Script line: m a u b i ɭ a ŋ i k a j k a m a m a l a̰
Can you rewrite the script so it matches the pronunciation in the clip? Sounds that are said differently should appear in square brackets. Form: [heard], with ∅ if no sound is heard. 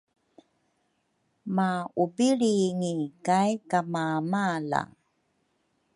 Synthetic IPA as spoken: m a u b i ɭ [i] ŋ i k a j k a m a m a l a̰